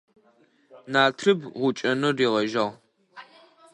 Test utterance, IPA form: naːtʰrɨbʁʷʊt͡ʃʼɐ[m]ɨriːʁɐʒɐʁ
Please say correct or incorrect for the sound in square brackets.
incorrect